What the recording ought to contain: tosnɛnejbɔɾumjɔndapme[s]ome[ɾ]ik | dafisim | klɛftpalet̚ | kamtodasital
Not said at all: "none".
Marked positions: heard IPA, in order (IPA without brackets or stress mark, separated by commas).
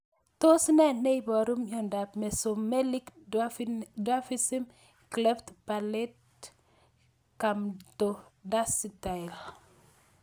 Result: s, l